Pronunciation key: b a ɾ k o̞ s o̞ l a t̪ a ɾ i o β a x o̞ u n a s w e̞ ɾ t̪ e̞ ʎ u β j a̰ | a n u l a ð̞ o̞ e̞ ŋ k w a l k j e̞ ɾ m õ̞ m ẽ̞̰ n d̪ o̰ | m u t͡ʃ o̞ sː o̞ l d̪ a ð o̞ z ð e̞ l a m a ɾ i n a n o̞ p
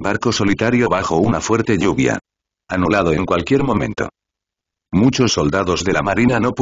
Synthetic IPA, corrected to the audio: b a ɾ k o̞ s o̞ l i t̪ a ɾ j o β a x o̞ u n a f w e̞ ɾ t̪ e̞ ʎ u β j a̰ | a n u l a ð̞ o̞ e̞ ŋ k w a l k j e̞ ɾ m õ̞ m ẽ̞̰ n t̪ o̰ | m u t͡ʃ o̞ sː o̞ l d̪ a ð o̞ z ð e̞ l a m a ɾ i n a n o̞ p